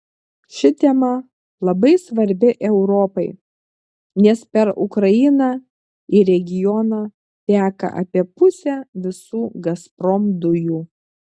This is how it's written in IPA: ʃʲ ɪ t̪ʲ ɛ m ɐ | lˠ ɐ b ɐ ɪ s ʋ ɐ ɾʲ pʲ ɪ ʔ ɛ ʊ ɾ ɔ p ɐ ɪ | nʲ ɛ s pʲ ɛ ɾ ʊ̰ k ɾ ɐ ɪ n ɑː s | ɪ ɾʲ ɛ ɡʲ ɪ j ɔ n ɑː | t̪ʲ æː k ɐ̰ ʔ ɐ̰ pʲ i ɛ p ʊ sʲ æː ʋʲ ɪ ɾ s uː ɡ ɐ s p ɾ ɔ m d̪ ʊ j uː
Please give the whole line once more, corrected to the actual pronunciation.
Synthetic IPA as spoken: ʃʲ ɪ t̪ʲ ɛ m ɐ | lˠ ɐ b ɐ ɪ s ʋ ɐ ɾʲ bʲ ɪ ʔ ɛ ʊ ɾ ɔ p ɐ ɪ | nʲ ɛ s pʲ ɛ ɾ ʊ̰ k ɾ ɐ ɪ n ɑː | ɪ ɾʲ ɛ ɡʲ ɪ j ɔ n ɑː | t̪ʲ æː k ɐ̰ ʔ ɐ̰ pʲ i ɛ p ʊ sʲ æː ʋʲ ɪ s uː ɡ ɐ s p ɾ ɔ m d̪ ʊ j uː

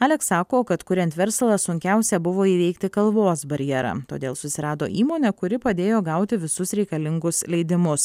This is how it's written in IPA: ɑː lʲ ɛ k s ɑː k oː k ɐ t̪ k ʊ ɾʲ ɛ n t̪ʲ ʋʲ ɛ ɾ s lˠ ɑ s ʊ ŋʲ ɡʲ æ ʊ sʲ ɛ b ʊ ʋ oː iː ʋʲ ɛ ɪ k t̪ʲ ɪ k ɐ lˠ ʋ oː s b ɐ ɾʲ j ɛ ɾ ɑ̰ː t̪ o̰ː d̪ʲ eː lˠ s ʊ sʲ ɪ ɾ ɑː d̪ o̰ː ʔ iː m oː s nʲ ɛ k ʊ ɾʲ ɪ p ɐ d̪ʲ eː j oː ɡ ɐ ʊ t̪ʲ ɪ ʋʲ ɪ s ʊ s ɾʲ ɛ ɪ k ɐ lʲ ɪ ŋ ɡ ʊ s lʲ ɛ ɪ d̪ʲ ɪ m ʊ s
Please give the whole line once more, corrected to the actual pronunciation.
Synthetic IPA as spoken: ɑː lʲ ɛ k s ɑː k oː k ɐ t̪ k ʊ ɾʲ ɛ n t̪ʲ ʋʲ ɛ ɾ s lˠ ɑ s ʊ ŋʲ kʲ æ ʊ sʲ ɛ b ʊ ʋ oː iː ʋʲ ɛ ɪ k t̪ʲ ɪ k ɐ lˠ ʋ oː s b ɐ ɾʲ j ɛ ɾ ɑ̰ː t̪ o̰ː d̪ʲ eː lˠ s ʊ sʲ ɪ ɾ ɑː d̪ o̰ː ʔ iː m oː nʲ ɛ k ʊ ɾʲ ɪ p ɐ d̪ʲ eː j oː ɡ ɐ ʊ t̪ʲ ɪ ʋʲ ɪ s ʊ s ɾʲ ɛ ɪ k ɐ lʲ ɪ ŋ ɡ ʊ s lʲ ɛ ɪ d̪ʲ ɪ m ʊ s

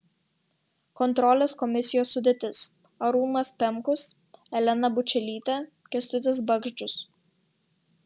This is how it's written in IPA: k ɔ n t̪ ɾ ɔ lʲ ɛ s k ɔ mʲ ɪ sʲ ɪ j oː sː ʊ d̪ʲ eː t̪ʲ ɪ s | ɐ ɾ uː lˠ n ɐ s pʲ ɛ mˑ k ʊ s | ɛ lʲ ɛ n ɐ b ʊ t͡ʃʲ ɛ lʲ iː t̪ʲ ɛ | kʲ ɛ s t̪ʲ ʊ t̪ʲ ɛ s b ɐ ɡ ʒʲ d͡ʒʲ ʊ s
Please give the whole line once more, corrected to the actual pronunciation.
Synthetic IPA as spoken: k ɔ n t̪ ɾ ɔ lʲ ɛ s k ɔ mʲ ɪ sʲ ɪ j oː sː ʊ d̪ʲ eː t̪ʲ ɪ s | ɐ ɾ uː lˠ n ɐ s pʲ ɛ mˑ k ʊ s | ɛ lʲ ɛ n ɐ b ʊ t͡ʃʲ ɛ lʲ iː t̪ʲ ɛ | kʲ ɛ s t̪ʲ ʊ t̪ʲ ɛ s b ɐ ɡ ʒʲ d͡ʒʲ ʊ s

